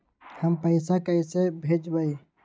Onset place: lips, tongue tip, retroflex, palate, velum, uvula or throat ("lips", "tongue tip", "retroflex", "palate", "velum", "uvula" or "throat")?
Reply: throat